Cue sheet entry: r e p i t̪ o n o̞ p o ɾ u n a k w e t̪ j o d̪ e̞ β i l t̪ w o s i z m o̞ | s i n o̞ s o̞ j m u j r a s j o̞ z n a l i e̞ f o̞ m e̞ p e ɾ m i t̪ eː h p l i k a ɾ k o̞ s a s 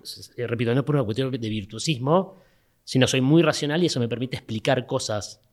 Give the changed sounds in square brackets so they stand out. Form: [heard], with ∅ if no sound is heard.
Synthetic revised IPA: r e p i t̪ o n o̞ p o ɾ u n a k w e t̪ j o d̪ e̞ β i [ɾ] t̪ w o s i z m o̞ | s i n o̞ s o̞ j m u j r a s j o̞ [∅] n a l i e̞ [s] o̞ m e̞ p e ɾ m i t̪ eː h p l i k a ɾ k o̞ s a s